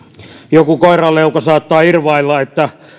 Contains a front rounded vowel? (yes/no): no